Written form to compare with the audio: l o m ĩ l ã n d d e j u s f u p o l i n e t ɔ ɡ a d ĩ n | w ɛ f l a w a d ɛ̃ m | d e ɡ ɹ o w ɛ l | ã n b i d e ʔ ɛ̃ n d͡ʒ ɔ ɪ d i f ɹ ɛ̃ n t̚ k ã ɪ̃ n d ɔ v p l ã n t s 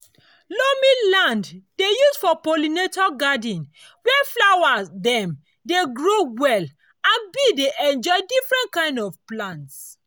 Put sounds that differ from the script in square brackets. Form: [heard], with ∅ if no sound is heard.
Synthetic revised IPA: l o m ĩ l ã n d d e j u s f [ɔ] p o l i n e t ɔ ɡ a d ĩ n | w ɛ f l a w a d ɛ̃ m | d e ɡ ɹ o w ɛ l | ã n b i d e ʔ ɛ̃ n d͡ʒ ɔ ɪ d i f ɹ ɛ̃ n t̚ k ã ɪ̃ n d ɔ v p l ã n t s